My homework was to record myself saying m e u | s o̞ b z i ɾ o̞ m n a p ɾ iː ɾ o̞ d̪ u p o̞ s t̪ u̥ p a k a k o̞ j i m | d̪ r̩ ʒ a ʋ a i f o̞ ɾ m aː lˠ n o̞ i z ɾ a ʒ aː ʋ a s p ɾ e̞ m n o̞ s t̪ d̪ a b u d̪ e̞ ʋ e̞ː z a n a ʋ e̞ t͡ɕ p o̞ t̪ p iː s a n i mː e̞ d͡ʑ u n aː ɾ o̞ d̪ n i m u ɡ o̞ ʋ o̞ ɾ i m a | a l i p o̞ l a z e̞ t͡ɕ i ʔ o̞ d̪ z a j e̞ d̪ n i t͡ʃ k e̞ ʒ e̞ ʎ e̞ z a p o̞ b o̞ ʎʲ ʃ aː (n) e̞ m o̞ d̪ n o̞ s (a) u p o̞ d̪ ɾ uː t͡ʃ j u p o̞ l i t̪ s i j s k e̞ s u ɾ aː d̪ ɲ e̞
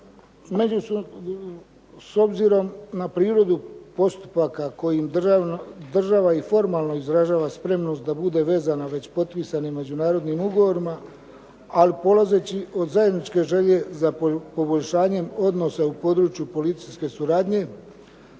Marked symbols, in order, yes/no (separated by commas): no, yes